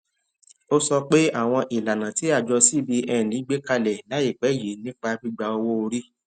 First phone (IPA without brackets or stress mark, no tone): o